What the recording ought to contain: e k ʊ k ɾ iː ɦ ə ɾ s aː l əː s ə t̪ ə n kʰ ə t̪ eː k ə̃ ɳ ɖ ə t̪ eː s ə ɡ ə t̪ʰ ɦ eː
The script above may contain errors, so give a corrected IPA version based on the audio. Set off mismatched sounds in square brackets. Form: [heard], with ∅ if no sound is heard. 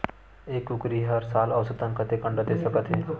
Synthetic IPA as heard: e k ʊ k ɾ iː ɦ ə ɾ s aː l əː s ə t̪ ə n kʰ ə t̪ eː k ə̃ ɳ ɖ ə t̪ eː s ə [k] ə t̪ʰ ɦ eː

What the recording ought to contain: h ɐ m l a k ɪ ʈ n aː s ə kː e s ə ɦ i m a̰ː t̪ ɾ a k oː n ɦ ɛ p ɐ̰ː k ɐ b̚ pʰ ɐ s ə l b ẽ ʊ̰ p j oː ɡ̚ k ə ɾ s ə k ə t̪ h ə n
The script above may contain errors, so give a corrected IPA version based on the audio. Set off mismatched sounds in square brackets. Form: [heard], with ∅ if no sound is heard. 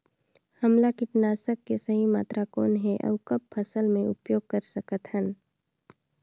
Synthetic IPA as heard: h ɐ m l a k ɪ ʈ n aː s ə kː e s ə ɦ i m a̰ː t̪ ɾ a k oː n ɦ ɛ [ʔ] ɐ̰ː k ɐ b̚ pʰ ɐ s ə l [m] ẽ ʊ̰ p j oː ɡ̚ k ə ɾ s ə k ə t̪ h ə n

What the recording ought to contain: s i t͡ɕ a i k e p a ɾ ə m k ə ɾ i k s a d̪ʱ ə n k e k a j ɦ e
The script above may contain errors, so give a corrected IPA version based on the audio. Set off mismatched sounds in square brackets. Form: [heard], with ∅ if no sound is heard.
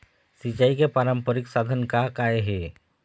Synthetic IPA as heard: s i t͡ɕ a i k e p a ɾ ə m [p] ə ɾ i k s a d̪ʱ ə n k [a] k a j ɦ e

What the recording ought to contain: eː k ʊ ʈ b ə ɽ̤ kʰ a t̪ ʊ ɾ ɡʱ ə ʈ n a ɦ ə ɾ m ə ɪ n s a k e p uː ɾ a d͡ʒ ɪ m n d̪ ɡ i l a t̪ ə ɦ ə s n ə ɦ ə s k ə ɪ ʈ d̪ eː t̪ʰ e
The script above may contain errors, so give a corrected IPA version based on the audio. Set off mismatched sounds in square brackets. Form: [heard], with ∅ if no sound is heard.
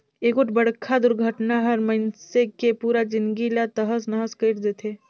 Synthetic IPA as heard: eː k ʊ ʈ b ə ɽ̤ kʰ a [d̪] ʊ ɾ ɡʱ ə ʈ n a ɦ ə ɾ m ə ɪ n s [e] k e p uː ɾ a d͡ʒ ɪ [∅] n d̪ ɡ i l a t̪ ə ɦ ə s n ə ɦ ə s k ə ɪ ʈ d̪ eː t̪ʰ e

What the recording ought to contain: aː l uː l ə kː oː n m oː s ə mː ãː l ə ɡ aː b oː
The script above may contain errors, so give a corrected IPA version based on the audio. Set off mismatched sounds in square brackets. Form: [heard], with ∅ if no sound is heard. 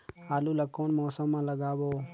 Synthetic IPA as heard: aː l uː l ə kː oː n m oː s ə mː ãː l ə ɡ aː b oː

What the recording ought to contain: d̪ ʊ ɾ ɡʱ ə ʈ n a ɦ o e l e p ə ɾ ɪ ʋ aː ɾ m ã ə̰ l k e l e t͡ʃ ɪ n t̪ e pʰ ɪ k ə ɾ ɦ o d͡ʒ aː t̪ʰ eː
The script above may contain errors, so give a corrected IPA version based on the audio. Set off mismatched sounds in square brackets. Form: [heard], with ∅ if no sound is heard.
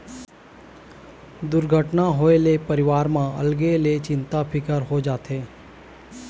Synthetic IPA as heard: d̪ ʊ ɾ ɡʱ ə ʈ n a ɦ o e l e p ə ɾ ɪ ʋ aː ɾ m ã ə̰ l [ɡ] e l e t͡ʃ ɪ n t̪ [a] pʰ ɪ k ə ɾ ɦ o d͡ʒ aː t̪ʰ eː

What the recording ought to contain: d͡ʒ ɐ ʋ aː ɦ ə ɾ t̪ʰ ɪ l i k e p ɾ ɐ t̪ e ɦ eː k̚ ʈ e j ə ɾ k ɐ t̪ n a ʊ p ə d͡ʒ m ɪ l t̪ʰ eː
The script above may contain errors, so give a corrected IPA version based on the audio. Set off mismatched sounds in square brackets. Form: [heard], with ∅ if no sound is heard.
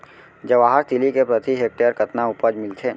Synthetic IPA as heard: d͡ʒ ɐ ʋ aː ɦ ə ɾ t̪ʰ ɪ l i k e p ɾ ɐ t̪ [i] ɦ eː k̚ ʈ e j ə ɾ k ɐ t̪ n a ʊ p ə d͡ʒ m ɪ l t̪ʰ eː

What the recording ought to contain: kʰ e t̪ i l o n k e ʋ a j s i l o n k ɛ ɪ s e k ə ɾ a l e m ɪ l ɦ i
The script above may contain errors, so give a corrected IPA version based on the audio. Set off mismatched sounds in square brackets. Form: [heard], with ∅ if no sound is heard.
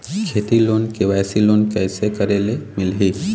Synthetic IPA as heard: kʰ e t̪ i l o n k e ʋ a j s i l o n k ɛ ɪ s e k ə ɾ [e] l e m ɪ l ɦ i

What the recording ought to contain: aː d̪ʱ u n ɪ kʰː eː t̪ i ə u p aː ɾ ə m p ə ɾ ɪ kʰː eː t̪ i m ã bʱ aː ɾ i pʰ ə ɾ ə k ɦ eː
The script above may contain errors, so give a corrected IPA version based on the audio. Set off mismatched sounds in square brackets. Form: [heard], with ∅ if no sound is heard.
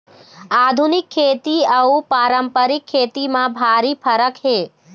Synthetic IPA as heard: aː d̪ʱ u n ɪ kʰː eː t̪ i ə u p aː ɾ ə m p ə ɾ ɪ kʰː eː t̪ i m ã bʱ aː ɾ i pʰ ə ɾ ə k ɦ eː

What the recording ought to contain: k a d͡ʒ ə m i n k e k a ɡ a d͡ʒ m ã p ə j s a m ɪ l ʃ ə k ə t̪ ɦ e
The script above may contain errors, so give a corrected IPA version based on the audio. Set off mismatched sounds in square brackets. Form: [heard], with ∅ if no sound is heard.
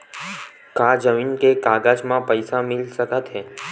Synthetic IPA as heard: k a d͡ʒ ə m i n k e k a ɡ a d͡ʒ m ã p ə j s a m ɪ l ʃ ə k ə t̪ ɦ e

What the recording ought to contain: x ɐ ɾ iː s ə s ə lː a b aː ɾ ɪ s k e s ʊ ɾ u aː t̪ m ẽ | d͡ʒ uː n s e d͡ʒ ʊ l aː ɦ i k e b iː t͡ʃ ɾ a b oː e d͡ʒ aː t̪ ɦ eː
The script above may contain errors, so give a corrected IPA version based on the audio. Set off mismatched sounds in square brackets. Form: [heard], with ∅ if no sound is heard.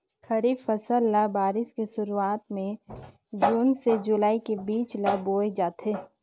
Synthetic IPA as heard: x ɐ ɾ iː [f] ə s ə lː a b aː ɾ ɪ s k e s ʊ ɾ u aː t̪ m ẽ | d͡ʒ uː n s e d͡ʒ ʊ l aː [∅] i k e b iː t͡ʃ [l] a b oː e d͡ʒ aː t̪ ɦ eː

